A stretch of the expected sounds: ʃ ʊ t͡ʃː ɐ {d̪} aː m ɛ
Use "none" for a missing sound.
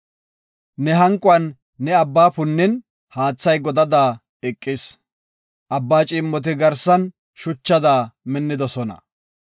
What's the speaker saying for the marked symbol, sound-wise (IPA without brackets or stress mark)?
d̪